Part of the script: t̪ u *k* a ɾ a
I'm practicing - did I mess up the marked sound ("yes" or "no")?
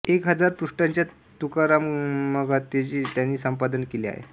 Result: no